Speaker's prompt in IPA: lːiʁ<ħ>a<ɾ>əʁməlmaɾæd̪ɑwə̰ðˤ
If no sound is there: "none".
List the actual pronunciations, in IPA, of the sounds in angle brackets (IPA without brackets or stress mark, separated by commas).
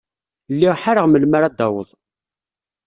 ħ, ɾ